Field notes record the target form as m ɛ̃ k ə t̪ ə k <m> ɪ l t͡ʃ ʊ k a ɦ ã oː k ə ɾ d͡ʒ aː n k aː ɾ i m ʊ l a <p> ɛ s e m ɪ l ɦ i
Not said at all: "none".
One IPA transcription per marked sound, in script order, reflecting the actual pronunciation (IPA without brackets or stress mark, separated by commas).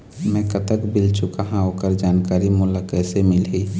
b, k